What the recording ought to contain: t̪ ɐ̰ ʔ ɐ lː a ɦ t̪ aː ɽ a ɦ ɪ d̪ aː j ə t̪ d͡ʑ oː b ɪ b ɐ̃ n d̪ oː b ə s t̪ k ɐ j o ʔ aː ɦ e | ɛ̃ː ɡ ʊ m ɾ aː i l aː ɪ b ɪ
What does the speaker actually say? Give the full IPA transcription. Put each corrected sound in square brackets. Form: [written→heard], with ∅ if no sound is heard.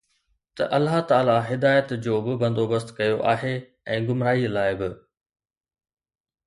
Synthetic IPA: t̪ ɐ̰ ʔ ɐ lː a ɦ t̪ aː [ɽ→l] a ɦ ɪ d̪ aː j ə t̪ d͡ʑ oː b ɪ b ɐ̃ n d̪ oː b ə s t̪ k ɐ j o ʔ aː ɦ e | ɛ̃ː ɡ ʊ m ɾ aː i l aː ɪ b ɪ